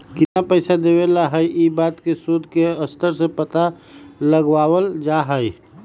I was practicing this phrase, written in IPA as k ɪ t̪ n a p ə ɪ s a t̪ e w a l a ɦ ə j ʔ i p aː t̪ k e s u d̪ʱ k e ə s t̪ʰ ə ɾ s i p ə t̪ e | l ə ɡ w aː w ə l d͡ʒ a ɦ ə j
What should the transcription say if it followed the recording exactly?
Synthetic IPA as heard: k ɪ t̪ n a p ə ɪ s a d̪ e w e l a ɦ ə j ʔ i b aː t̪ k e s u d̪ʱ k e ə s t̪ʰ ə ɾ s e p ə t̪ a | l ə ɡ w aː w ə l d͡ʒ a ɦ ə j